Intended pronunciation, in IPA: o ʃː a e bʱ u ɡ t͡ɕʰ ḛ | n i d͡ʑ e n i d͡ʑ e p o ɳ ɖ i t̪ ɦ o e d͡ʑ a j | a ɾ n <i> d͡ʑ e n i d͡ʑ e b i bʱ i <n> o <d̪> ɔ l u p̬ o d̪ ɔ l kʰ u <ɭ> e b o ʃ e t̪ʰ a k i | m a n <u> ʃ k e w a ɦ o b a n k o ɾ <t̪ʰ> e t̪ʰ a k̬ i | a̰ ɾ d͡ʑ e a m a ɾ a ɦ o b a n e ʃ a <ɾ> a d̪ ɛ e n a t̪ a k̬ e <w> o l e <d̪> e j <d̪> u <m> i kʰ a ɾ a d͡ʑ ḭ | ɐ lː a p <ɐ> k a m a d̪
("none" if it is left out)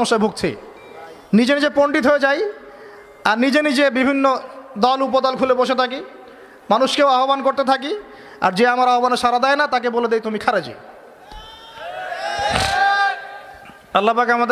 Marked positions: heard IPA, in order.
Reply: i, nː, d̪, l, u, t̪, ɾ, b, d̪, t̪, m, a

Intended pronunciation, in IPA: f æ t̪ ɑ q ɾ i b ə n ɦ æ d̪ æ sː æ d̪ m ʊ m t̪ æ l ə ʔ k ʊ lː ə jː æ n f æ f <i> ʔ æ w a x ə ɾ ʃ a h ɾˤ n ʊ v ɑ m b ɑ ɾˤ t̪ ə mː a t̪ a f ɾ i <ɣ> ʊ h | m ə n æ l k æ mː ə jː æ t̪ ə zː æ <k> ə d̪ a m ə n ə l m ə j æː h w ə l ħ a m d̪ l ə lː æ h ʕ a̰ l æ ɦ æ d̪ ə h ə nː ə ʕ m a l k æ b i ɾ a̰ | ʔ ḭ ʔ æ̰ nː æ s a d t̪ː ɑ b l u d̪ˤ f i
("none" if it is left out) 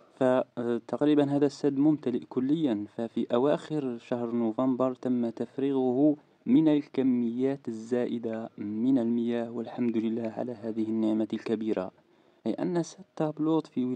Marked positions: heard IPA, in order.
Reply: i, ɣ, ʔ

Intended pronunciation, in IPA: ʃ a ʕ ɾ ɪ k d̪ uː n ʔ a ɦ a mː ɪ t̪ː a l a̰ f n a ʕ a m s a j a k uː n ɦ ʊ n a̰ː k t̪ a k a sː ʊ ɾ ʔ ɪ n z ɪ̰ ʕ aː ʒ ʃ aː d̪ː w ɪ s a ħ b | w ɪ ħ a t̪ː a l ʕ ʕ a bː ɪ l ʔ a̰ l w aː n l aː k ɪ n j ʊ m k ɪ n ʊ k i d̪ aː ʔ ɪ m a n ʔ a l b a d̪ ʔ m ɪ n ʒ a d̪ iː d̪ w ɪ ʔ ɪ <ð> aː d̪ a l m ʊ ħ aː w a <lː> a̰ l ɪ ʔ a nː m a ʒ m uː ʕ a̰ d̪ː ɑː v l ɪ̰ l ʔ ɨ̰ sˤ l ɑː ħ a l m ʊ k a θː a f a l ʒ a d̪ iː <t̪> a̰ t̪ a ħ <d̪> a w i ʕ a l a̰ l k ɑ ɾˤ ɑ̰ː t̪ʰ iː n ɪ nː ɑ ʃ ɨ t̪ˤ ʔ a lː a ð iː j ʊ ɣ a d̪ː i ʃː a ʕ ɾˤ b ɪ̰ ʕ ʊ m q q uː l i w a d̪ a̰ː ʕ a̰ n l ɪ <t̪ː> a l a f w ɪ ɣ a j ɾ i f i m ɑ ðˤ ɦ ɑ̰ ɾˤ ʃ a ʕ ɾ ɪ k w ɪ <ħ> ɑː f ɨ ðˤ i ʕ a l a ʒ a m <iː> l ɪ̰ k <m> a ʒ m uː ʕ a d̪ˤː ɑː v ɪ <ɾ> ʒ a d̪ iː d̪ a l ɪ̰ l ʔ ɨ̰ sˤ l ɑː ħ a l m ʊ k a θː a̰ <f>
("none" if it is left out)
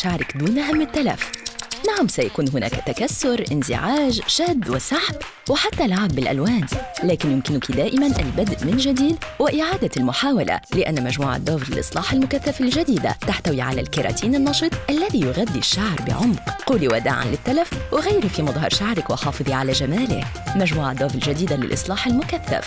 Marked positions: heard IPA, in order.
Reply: ʕ, l, d̪, t̪, t̪ː, ħ, aː, m, l, f

